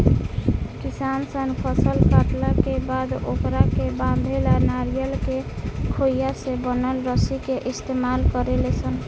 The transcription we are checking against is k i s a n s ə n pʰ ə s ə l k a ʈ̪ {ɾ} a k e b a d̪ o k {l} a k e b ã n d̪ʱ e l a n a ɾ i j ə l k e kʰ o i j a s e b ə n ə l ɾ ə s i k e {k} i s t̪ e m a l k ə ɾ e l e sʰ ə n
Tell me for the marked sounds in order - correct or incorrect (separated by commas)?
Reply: incorrect, incorrect, incorrect